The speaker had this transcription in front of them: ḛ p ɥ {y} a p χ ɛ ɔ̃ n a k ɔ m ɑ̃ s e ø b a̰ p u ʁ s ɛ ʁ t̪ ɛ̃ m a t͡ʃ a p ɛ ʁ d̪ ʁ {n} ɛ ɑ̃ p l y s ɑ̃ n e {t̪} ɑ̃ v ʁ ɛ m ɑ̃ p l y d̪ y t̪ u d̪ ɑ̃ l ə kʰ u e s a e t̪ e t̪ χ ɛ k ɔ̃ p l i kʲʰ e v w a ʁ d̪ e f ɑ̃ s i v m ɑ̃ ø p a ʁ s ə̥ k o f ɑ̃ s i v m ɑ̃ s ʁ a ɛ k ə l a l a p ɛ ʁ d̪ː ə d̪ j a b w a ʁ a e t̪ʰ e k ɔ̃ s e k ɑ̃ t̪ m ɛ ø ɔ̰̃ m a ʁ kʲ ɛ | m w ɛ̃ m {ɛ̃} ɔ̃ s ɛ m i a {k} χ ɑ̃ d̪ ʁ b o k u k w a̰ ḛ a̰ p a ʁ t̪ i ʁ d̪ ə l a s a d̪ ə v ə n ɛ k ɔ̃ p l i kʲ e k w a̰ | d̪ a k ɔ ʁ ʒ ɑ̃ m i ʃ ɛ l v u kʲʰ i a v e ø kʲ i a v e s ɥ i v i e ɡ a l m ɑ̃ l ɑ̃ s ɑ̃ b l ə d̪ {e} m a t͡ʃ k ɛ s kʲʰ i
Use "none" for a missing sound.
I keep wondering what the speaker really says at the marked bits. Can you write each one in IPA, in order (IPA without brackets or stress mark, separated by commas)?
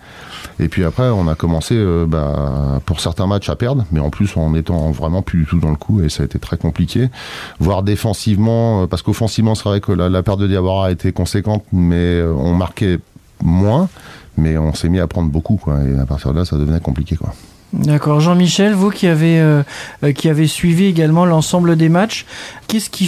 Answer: i, m, t̪, ɛ, p, e